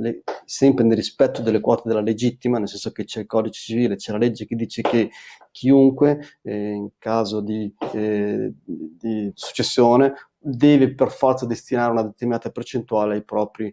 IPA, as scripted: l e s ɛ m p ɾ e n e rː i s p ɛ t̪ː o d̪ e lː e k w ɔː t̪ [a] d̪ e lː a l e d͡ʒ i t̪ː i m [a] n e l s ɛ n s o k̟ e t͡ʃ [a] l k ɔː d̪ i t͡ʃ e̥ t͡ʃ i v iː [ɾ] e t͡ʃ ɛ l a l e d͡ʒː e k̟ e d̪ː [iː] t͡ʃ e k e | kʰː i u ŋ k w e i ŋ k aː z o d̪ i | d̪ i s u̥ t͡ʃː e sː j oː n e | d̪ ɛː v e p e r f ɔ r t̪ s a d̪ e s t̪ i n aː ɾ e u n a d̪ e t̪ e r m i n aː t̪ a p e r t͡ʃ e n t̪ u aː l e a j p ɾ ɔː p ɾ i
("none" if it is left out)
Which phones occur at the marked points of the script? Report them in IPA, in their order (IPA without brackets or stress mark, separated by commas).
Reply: e, a, ɛ, l, iː